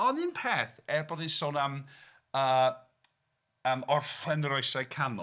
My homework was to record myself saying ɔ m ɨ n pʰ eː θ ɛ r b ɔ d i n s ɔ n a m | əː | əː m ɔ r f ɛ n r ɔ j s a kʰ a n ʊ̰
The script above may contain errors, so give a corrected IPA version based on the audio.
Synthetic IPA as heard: ɔ n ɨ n pʰ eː θ ɛ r b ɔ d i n s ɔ n a m | əː | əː m ɔ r f ɛ n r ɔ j s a kʰ a n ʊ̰